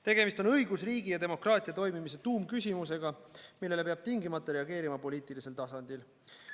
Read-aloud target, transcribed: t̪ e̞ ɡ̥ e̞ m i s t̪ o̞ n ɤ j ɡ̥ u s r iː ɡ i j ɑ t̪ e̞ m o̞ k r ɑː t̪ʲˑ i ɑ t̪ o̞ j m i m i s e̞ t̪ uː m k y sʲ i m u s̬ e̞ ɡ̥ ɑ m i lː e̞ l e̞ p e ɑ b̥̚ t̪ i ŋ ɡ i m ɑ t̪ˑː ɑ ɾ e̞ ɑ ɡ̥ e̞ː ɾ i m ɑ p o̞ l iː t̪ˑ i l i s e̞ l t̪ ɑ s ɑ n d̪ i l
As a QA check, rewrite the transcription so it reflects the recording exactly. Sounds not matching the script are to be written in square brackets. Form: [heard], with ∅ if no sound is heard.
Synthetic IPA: t̪ e̞ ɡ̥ e̞ m i s t̪ o̞ n ɤ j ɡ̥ u s r iː ɡ i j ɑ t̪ e̞ m o̞ k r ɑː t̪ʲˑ i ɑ t̪ o̞ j m i m i s e̞ t̪ uː m k y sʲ i m u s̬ e̞ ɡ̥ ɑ m i lː e̞ l e̞ p e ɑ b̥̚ t̪ i ŋ ɡ i m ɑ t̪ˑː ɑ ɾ e̞ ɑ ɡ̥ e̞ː ɾ i m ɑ p o̞ l iː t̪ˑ i l i s e̞ l t̪ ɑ s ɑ n d̪ i l